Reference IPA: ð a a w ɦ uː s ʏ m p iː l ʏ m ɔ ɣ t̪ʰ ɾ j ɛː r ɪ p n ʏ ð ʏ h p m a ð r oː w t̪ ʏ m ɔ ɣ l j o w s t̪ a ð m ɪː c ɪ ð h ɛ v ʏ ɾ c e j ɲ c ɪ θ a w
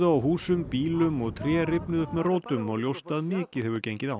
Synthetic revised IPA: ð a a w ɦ uː s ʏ m p iː l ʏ m ɔ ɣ t̪ʰ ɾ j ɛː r ɪ p n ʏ ð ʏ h p m ɛ ð r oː w t̪ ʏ m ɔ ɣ l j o w s t̪ a ð m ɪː c ɪ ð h ɛ v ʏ ɾ c e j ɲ c ɪ ð a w